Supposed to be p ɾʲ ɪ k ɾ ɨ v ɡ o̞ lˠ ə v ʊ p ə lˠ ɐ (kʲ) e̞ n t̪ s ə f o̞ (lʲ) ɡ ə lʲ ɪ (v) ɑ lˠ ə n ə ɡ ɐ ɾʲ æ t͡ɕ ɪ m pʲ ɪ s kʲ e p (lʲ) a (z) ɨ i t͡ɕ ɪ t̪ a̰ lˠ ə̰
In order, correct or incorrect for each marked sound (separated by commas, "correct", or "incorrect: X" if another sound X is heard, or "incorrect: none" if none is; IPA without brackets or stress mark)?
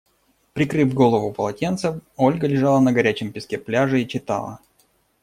incorrect: tʲ, correct, incorrect: ʐ, correct, incorrect: ʐ